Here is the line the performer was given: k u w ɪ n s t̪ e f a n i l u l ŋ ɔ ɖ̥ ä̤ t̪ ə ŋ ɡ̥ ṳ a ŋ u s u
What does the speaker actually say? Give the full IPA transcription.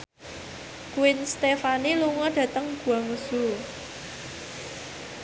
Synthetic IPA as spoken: k u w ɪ n s t̪ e f a n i l u ŋ ɔ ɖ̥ ä̤ t̪ ə ŋ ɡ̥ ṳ a ŋ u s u